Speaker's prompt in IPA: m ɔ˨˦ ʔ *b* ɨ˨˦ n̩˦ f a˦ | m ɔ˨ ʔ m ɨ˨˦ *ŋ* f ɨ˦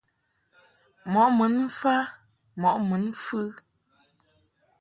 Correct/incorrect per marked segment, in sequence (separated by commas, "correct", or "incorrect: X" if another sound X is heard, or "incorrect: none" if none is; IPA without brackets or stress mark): incorrect: m, incorrect: n